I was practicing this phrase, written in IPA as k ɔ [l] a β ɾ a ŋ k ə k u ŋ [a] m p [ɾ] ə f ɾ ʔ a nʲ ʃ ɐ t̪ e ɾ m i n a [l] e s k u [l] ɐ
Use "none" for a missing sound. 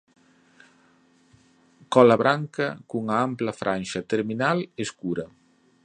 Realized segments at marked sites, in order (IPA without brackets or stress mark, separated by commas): l, a, l, l, ɾ